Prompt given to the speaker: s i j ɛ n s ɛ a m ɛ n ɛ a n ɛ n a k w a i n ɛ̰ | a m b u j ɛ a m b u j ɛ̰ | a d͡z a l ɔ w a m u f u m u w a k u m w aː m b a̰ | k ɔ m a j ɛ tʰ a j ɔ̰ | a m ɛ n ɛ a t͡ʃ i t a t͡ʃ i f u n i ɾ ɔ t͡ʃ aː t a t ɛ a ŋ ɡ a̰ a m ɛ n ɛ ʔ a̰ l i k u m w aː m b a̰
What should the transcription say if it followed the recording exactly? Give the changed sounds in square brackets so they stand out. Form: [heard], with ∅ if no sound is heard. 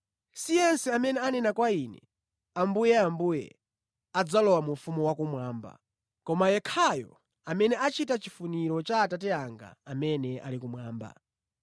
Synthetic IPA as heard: s i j ɛ n s ɛ a m ɛ n ɛ a n ɛ n a k w a i n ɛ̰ | a m b u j ɛ a m b u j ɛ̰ | a d͡z a l ɔ w a m u f u m u w a k u m w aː m b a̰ | k ɔ m a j ɛ [kʰ] a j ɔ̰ | a m ɛ n ɛ a t͡ʃ i t a t͡ʃ i f u n i ɾ ɔ t͡ʃ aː t a t ɛ a ŋ ɡ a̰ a m ɛ n ɛ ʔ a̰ l i k u m w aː m b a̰

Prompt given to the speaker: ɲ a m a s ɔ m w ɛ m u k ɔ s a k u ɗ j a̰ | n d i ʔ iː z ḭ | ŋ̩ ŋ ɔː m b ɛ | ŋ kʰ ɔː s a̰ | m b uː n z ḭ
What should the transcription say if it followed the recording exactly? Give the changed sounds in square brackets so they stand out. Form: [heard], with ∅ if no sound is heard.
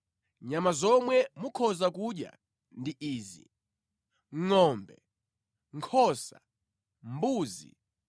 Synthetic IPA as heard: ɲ a m a [z] ɔ m w ɛ m u [kʰ] ɔ [z] a k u ɗ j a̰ | n d i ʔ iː z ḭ | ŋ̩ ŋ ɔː m b ɛ | ŋ kʰ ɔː s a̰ | m b uː [∅] z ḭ

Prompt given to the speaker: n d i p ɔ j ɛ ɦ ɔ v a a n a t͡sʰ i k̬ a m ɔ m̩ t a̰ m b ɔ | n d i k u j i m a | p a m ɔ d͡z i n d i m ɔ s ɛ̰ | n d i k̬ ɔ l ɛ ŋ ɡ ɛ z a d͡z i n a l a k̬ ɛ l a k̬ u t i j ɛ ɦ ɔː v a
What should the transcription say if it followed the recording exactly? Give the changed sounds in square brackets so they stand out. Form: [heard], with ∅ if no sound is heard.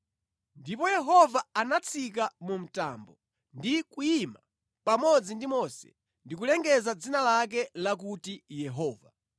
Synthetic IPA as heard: n d i p ɔ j ɛ ɦ ɔ v a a n a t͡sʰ i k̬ a m [u] m̩ t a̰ m b ɔ | n d i k u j i m a | p a m ɔ d͡z i n d i m ɔ s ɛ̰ | n d i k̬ [u] l ɛ ŋ ɡ ɛ z a d͡z i n a l a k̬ ɛ l a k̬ u t i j ɛ ɦ ɔː v a

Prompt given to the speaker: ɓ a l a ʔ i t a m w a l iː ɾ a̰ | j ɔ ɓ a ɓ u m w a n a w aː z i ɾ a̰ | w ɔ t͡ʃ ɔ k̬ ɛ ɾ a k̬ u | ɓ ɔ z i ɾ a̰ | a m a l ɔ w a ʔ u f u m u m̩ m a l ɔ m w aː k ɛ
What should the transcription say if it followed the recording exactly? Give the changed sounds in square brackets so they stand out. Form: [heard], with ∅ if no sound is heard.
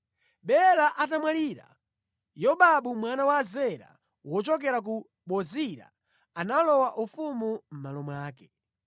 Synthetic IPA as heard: ɓ [ɛ] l a ʔ [a] t a m w a l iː ɾ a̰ | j ɔ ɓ a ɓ u m w a n a w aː z [ɛ] ɾ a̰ | w ɔ t͡ʃ ɔ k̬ ɛ ɾ a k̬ u | ɓ ɔ z i ɾ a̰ | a [n] a l ɔ w a ʔ u f u m u m̩ m a l ɔ m w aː k ɛ

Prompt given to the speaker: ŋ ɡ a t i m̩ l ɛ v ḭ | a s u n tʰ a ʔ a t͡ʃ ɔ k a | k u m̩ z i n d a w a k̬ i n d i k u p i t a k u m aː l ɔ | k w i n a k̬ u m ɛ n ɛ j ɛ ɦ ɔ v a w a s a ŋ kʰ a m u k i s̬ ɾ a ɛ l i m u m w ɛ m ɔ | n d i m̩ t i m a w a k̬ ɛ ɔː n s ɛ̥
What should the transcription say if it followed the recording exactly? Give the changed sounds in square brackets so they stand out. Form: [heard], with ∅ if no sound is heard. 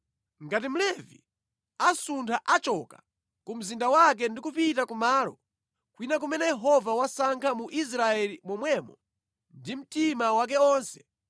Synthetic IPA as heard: ŋ ɡ a t i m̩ l ɛ v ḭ | a s u n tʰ a ʔ a t͡ʃ ɔ k a | k u m̩ z i n d a w a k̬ [ɛ] n d i k u p i t a k u m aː l ɔ | k w i n a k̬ u m ɛ n ɛ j ɛ ɦ ɔ v a w a s a ŋ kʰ a m u [ʔ] i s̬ ɾ a ɛ l i m [ɔ] m w ɛ m ɔ | n d i m̩ t i m a w a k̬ ɛ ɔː n s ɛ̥

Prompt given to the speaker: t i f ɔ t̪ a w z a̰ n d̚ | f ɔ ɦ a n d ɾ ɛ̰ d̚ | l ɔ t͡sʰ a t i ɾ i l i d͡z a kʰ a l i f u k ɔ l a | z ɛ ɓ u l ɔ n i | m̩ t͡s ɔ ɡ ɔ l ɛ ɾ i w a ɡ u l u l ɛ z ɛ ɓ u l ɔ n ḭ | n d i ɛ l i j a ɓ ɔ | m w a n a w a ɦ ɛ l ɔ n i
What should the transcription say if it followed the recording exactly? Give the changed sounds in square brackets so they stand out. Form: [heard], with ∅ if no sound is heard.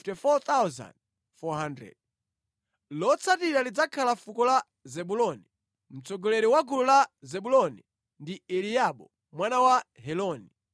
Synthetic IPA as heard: t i f ɔ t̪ a w z a̰ n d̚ | f ɔ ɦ a n d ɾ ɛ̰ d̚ | l ɔ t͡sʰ a t i ɾ [a] l i d͡z a kʰ a l [a] f u k ɔ l a | z ɛ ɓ u l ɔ n i | m̩ t͡s ɔ ɡ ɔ l ɛ ɾ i w a ɡ u l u l [a] z ɛ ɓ u l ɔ n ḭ | n d i ɛ l i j a ɓ ɔ | m w a n a w a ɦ ɛ l ɔ n i

